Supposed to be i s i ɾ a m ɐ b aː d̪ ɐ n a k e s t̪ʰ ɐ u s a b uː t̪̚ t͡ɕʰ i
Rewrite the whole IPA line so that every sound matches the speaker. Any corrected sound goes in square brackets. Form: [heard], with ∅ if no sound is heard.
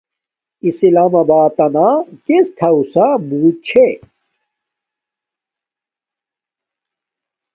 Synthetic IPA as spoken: i s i [l] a m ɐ b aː [t̪] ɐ n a k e s t̪ʰ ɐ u s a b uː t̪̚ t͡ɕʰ [e]

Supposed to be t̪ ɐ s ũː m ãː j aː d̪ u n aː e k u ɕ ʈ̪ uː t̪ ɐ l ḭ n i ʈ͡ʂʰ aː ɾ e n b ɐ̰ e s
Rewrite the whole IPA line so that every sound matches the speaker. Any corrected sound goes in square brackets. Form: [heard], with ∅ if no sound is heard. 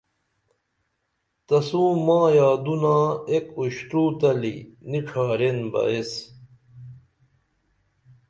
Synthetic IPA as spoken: t̪ ɐ s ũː m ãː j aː d̪ u n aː e k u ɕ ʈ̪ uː t̪ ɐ l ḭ n i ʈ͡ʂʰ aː ɾ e n b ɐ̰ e s

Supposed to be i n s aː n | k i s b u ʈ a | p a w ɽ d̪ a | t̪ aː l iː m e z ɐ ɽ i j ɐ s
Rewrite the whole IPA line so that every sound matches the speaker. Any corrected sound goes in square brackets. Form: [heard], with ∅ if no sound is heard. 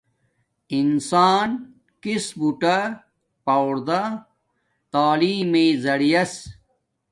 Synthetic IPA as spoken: i n s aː n | k i s b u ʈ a | p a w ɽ d̪ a | t̪ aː l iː m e z ɐ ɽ i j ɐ s

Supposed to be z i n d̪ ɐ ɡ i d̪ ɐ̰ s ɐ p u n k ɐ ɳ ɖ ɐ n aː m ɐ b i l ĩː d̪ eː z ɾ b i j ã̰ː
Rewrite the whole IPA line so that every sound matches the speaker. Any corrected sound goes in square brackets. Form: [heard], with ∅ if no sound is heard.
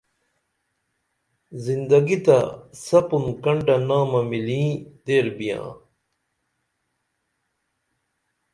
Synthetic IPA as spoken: z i n d̪ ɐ ɡ i [t̪] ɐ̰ s ɐ p u n k ɐ ɳ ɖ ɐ n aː m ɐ [m] i l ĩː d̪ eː [∅] ɾ b i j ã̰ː

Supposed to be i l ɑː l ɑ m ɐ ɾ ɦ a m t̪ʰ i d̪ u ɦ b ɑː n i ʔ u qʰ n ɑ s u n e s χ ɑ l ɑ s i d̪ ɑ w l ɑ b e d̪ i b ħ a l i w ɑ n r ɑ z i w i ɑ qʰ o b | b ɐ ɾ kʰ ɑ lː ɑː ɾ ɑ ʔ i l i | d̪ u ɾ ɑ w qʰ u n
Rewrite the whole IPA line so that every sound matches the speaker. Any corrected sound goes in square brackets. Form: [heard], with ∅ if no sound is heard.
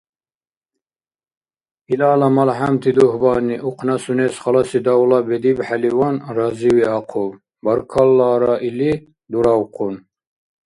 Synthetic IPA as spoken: i l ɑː l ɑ m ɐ [l] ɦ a m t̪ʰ i d̪ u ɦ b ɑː n i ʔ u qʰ n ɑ s u n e s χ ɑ l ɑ s i d̪ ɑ w l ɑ b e d̪ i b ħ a l i w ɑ n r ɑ z i w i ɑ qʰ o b | b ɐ ɾ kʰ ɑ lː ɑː ɾ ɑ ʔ i l i | d̪ u ɾ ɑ w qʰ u n

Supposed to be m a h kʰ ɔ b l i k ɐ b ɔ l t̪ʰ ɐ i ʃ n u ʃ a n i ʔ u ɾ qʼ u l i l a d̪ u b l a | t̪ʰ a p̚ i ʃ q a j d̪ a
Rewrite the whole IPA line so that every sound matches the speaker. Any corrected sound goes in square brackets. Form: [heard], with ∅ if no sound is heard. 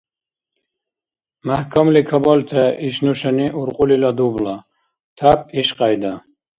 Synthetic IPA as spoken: m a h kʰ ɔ [m] l i [kʰ] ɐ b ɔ l t̪ʰ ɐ i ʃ n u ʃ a n i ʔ u ɾ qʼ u l i l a d̪ u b l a | t̪ʰ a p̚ i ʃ q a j d̪ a

